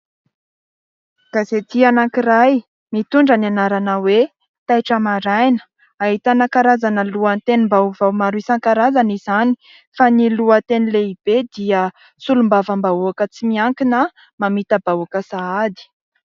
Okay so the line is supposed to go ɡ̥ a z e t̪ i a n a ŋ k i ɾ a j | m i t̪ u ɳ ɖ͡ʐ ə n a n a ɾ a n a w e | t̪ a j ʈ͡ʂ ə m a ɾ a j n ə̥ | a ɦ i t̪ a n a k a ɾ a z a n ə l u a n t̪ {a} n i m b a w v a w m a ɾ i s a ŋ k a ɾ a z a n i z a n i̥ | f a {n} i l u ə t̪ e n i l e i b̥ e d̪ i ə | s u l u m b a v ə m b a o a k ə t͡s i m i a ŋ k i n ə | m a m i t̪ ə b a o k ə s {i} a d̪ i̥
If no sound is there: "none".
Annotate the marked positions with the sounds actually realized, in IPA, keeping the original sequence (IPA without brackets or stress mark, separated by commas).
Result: e, n, a